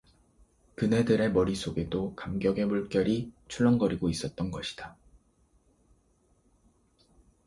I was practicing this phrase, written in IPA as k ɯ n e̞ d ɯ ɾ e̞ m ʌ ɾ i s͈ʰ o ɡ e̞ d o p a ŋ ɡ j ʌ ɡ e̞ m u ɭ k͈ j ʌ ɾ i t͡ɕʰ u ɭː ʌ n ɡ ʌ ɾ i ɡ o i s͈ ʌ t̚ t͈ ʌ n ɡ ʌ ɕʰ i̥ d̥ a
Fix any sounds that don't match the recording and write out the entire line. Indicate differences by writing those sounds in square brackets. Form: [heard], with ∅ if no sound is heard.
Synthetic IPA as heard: k ɯ n e̞ d ɯ ɾ e̞ m ʌ ɾ i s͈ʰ o ɡ e̞ d o [k] a [m] ɡ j ʌ ɡ e̞ m u ɭ k͈ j ʌ ɾ i t͡ɕʰ u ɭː ʌ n ɡ ʌ ɾ i ɡ o i s͈ ʌ t̚ t͈ ʌ n ɡ ʌ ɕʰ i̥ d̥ a

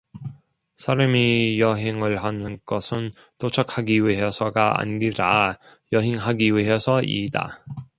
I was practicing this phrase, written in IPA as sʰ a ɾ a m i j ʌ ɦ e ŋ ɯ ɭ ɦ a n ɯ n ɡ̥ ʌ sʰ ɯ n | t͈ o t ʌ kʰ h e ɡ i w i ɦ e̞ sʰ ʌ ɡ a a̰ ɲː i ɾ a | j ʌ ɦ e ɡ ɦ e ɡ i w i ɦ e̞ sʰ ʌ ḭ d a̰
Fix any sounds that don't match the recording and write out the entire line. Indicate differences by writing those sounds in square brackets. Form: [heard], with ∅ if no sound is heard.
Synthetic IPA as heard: sʰ a ɾ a m i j ʌ ɦ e ŋ ɯ ɭ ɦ a n ɯ n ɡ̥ ʌ sʰ ɯ n | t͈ o [t͡ɕʰ] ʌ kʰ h [a] ɡ i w i ɦ e̞ sʰ ʌ ɡ a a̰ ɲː i ɾ a | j ʌ ɦ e [ŋ] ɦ [a] ɡ i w i ɦ e̞ sʰ ʌ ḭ d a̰

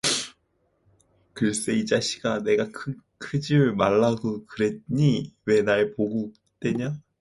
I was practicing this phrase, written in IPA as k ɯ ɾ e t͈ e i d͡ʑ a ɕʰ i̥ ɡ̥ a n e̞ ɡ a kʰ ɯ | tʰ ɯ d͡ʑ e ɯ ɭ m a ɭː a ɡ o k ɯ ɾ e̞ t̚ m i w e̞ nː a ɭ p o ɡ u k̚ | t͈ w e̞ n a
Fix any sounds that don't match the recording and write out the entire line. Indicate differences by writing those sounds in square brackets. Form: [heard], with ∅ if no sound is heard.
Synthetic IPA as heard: k ɯ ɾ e [s͈] e i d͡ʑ a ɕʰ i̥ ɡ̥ a n e̞ ɡ a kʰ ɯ | [kʰ] ɯ d͡ʑ [i] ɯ ɭ m a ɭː a ɡ o k ɯ ɾ e̞ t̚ [ɲ] i w e̞ [n] a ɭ p o ɡ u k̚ | t͈ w e̞ [ɲ] a

